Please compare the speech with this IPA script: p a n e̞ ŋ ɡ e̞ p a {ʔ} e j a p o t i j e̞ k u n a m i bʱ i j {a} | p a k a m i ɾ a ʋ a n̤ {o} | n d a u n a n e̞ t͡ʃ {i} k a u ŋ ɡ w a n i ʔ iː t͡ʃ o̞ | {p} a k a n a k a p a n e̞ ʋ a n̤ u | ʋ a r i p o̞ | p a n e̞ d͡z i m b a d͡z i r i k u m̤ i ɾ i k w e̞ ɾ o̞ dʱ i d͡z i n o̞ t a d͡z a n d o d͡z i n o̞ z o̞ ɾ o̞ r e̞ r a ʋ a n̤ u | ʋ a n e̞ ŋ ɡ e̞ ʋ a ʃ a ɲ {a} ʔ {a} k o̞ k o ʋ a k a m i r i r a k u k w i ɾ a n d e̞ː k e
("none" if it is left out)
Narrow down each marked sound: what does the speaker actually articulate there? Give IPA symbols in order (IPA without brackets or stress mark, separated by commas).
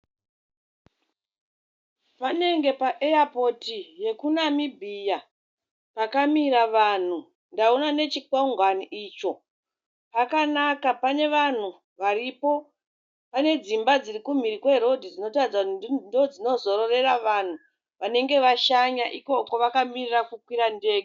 ʔ, a, u, i, p, a, i